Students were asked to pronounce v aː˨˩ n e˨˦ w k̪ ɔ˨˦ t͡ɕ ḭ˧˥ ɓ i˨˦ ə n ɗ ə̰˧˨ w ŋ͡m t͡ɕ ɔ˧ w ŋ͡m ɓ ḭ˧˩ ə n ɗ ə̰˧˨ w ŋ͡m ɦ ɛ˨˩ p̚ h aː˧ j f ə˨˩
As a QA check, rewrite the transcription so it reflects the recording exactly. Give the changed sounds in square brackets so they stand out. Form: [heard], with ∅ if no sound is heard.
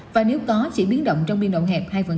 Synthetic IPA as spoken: v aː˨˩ n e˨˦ w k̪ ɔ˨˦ t͡ɕ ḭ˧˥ ɓ i˨˦ ə n ɗ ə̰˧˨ w ŋ͡m t͡ɕ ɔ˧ w ŋ͡m ɓ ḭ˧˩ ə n ɗ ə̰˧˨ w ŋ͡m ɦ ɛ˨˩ p̚ h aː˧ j [v] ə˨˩